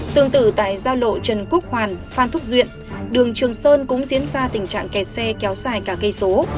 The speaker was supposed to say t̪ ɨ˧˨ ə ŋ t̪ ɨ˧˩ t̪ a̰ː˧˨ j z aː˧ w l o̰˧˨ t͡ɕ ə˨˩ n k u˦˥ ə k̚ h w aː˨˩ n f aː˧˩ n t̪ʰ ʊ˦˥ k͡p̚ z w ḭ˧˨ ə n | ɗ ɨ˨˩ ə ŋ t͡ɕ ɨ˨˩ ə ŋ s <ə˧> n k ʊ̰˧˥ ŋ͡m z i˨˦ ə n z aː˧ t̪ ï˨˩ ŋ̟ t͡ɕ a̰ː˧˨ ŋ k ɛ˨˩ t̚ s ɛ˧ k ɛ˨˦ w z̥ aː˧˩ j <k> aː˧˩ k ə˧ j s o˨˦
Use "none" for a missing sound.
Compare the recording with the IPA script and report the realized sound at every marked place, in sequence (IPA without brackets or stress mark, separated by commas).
əː˧, k